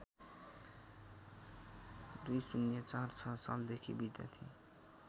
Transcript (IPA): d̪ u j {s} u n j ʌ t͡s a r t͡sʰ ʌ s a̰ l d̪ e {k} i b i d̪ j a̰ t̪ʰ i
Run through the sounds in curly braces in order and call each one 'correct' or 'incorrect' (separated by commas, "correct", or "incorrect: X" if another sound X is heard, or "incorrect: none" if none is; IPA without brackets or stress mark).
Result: correct, incorrect: kʰ